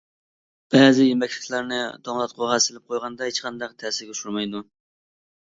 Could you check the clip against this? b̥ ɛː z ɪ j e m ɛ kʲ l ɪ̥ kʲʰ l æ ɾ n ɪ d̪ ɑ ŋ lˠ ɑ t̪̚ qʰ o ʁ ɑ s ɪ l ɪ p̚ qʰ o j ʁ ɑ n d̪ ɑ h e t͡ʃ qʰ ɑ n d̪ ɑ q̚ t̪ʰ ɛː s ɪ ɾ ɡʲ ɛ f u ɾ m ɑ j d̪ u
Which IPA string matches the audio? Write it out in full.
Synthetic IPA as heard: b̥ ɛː z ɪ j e m ɛ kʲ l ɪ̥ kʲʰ l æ ɾ n ɪ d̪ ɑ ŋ lˠ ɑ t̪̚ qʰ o ʁ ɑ s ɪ l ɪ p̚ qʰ o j ʁ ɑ n d̪ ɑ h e t͡ʃ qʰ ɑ n d̪ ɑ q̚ t̪ʰ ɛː s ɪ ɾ ɡʲ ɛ ʃ u ɾ m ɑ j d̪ u

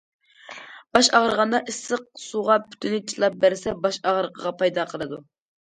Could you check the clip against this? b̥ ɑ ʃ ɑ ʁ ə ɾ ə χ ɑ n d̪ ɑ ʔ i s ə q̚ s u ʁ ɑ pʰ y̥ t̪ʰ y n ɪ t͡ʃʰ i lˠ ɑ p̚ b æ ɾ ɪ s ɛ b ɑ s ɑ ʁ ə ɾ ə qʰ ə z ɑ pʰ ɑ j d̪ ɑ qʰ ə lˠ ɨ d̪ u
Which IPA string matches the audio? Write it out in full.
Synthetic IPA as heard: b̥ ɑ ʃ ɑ ʁ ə ɾ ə ʁ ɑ n d̪ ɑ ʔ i s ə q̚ s u ʁ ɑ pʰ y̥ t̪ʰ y n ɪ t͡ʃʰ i lˠ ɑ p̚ b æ ɾ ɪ s ɛ b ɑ ʃ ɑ ʁ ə ɾ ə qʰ ə ʁ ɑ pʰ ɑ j d̪ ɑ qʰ ə lˠ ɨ d̪ u

